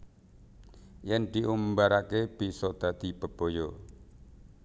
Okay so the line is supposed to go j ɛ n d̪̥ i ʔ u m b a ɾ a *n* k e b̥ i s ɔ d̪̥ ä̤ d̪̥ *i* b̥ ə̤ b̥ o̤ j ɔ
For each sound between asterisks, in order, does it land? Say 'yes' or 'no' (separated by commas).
no, yes